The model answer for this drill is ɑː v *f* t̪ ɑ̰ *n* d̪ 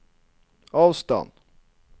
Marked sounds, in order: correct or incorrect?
incorrect: s, correct

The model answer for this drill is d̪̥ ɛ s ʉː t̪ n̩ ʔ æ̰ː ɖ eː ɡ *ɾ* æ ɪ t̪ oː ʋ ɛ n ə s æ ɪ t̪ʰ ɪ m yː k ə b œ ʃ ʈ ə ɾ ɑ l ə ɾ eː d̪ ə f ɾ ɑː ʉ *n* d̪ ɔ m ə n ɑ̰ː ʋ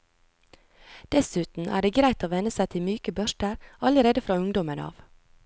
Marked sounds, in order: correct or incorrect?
correct, incorrect: ŋ

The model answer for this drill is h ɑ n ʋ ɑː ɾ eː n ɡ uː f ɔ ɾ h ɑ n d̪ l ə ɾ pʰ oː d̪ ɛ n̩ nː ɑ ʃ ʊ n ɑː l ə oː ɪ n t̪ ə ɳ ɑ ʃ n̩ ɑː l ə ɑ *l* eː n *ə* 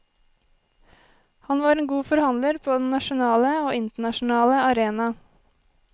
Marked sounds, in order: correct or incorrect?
incorrect: ɾ, incorrect: ɑ

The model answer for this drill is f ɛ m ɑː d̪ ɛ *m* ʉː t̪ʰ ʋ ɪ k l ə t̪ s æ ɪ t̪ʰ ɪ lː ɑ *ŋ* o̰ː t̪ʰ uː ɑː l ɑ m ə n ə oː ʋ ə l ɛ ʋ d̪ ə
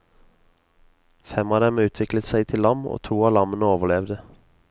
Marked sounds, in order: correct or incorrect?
correct, incorrect: m

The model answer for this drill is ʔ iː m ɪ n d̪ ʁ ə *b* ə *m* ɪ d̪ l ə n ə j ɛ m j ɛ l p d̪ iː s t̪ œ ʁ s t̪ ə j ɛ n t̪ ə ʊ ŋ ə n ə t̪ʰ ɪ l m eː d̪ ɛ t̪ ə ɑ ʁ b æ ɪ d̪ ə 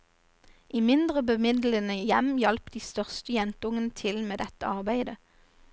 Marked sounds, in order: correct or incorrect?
correct, correct

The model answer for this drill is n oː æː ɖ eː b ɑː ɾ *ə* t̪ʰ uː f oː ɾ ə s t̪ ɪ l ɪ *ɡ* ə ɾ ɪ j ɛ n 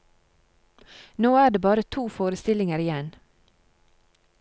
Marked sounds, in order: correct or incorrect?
correct, incorrect: ŋ

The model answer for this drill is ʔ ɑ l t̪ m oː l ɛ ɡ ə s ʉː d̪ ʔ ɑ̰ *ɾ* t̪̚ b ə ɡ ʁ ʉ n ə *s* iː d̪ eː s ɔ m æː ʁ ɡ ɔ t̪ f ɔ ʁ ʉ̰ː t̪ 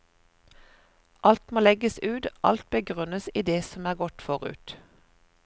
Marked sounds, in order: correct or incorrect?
incorrect: l, correct

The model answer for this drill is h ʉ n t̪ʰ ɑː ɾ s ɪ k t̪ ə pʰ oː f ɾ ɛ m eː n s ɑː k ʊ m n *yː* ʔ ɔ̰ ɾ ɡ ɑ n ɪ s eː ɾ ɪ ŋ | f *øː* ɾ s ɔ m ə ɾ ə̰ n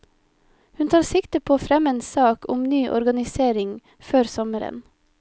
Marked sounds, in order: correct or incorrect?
correct, correct

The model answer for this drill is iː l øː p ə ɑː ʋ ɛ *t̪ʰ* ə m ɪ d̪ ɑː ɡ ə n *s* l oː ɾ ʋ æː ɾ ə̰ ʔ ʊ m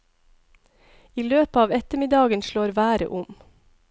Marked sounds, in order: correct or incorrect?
incorrect: t̪, incorrect: ʃ

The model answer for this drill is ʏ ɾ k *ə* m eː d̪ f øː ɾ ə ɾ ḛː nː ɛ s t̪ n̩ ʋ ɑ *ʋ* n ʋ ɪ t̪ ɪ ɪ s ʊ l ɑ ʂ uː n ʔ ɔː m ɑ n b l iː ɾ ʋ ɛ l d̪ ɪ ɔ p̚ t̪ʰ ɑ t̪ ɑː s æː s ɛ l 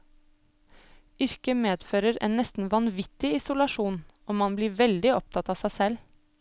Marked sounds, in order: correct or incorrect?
correct, incorrect: none

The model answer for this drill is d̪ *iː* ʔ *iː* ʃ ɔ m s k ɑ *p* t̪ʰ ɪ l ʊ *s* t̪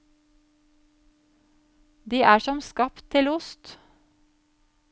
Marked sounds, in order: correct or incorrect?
correct, incorrect: æː, correct, correct

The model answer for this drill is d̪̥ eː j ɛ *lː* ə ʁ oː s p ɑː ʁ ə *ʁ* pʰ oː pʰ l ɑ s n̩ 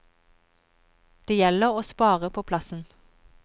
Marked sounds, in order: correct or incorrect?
incorrect: l, incorrect: none

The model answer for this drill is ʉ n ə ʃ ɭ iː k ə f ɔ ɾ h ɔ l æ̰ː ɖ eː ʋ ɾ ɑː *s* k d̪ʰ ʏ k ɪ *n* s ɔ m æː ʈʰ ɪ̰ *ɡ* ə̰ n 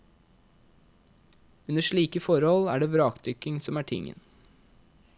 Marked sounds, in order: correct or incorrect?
incorrect: none, incorrect: ŋ, incorrect: ŋ

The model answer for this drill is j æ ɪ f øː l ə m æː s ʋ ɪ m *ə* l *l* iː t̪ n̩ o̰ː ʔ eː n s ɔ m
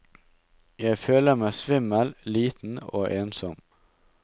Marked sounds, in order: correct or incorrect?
correct, correct

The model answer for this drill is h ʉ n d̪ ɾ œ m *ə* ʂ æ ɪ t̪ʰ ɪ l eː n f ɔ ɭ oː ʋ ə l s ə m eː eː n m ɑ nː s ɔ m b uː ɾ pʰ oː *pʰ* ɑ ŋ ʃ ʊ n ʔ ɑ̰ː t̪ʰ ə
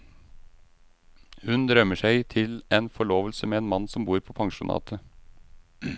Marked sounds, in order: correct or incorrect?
correct, correct

